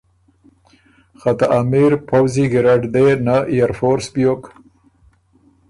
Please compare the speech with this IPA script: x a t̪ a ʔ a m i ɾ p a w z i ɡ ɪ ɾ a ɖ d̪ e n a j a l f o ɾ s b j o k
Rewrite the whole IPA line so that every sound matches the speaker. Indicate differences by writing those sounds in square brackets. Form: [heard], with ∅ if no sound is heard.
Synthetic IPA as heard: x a t̪ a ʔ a m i ɾ p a w z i ɡ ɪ ɾ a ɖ d̪ e n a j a [ɾ] f o ɾ s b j o k